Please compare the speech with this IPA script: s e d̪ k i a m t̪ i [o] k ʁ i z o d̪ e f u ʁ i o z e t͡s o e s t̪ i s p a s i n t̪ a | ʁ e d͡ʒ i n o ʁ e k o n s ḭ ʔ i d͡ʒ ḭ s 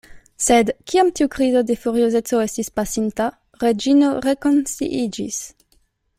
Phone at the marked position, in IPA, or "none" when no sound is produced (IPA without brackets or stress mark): u